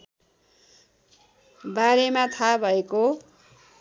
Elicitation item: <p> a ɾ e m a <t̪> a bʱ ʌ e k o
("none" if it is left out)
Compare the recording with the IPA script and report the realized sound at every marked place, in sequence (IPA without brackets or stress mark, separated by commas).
b, t̪ʰ